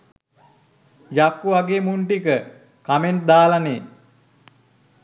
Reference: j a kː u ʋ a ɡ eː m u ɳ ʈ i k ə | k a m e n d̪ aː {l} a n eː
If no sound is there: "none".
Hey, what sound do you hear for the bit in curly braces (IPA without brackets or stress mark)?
l